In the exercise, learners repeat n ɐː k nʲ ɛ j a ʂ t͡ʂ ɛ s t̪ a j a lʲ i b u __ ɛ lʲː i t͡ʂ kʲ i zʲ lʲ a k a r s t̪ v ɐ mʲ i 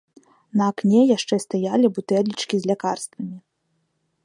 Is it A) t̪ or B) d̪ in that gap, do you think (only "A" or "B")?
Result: A